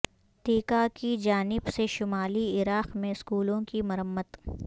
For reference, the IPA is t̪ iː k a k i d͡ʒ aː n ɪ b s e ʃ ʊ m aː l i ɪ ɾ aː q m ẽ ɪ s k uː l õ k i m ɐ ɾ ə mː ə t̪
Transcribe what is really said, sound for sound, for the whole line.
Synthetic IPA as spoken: t̪ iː k a k i d͡ʒ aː n ɪ b s e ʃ ʊ m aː l i ɪ ɾ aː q m ẽ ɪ s k uː l õ k i m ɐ ɾ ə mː ə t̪